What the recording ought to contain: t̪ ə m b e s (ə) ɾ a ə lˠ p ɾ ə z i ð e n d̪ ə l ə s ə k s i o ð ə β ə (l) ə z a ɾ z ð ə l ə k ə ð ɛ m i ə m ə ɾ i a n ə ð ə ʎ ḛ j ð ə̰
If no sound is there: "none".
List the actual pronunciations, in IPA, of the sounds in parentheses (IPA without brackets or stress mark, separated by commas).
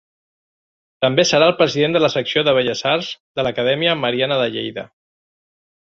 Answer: ə, ʎ